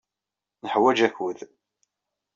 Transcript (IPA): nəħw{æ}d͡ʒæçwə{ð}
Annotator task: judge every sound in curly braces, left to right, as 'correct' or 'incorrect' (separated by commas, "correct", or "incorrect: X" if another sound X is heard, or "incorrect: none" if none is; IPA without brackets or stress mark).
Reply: correct, correct